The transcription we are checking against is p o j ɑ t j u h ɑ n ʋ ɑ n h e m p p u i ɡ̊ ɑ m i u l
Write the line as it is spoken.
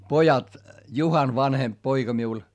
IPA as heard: p o j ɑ t j u h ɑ n ʋ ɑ n h e m p p o i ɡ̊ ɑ m i u l